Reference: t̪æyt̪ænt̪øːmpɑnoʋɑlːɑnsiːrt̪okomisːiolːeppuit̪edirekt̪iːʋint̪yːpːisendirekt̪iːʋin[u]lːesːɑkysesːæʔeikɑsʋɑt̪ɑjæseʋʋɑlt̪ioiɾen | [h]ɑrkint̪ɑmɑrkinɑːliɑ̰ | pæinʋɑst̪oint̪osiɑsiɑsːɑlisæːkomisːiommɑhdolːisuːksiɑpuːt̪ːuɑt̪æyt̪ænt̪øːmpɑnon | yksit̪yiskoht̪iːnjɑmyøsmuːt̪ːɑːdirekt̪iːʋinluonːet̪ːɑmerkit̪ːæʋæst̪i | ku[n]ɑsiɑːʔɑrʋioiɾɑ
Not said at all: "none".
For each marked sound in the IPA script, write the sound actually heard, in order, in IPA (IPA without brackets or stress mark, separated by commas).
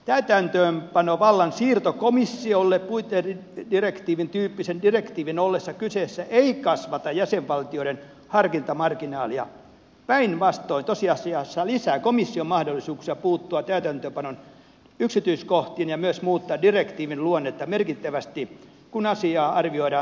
o, h, n